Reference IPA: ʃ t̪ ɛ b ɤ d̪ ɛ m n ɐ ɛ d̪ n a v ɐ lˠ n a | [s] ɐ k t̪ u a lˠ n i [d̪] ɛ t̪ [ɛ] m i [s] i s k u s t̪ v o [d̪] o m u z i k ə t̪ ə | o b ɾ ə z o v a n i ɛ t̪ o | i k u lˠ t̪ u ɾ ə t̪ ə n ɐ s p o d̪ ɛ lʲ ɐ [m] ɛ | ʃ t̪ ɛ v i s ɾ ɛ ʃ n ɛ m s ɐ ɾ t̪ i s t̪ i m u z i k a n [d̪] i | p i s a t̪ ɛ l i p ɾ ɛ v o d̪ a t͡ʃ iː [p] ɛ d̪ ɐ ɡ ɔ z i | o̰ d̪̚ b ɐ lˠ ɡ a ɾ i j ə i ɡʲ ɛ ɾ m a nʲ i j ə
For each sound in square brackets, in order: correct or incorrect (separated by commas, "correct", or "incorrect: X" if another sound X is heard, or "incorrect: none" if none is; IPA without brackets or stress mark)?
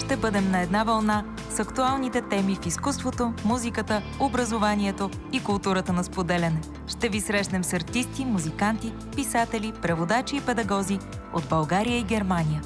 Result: correct, incorrect: t̪, correct, incorrect: f, incorrect: t̪, incorrect: n, incorrect: t̪, correct